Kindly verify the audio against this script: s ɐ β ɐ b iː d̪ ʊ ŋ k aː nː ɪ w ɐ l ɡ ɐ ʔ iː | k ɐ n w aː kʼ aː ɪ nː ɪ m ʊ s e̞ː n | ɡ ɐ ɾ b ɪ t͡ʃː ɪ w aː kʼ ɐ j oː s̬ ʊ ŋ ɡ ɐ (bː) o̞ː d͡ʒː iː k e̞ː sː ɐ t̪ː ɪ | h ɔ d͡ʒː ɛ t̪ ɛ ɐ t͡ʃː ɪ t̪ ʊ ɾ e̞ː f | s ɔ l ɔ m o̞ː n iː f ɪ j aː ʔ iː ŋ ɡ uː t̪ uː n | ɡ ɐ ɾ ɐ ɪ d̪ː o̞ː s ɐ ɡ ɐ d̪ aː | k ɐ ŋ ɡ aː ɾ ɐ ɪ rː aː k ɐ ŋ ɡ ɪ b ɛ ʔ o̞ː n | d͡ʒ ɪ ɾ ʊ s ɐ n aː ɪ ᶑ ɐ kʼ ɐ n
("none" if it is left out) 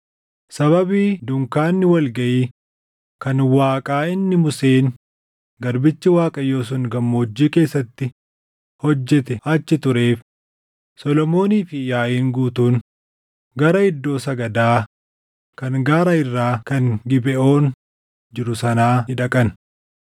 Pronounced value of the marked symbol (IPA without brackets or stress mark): mː